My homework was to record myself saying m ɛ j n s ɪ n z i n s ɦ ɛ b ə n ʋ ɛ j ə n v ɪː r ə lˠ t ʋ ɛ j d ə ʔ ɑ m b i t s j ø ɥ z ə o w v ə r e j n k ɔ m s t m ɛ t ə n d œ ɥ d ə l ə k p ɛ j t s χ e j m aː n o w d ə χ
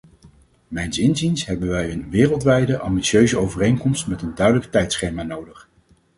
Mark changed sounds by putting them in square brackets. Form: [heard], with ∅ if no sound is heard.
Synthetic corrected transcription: m ɛ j n s ɪ n z i n s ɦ ɛ b ə n ʋ ɛ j ə n [ʋ] ɪː r ə lˠ t ʋ ɛ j d ə ʔ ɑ m b i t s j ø ɥ z ə o w v ə r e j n k ɔ m s t m ɛ t ə n d œ ɥ d ə l ə k [t] ɛ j t s χ e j m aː n o w d ə χ